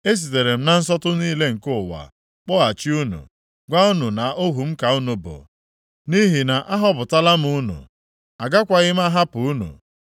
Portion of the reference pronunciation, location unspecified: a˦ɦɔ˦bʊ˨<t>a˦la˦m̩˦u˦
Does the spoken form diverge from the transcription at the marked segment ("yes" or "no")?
no